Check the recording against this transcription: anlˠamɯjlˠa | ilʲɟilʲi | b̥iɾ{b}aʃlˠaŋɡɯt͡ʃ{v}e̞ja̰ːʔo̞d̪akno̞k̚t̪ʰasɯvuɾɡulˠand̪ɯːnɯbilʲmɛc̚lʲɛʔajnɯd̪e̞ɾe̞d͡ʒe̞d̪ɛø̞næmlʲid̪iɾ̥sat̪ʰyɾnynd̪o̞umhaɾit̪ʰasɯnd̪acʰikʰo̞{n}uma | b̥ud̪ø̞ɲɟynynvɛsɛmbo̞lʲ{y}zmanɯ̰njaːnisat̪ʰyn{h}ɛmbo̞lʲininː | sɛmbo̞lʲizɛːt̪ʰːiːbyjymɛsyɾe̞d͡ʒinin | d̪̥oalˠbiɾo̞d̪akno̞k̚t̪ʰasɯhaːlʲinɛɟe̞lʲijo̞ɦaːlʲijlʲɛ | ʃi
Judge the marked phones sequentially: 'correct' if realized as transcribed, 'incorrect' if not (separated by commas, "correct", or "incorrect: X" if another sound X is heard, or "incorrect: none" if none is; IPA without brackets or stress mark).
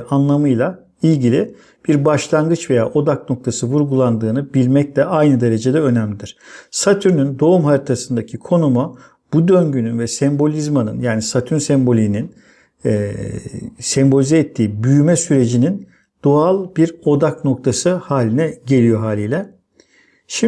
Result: correct, correct, correct, incorrect: i, incorrect: s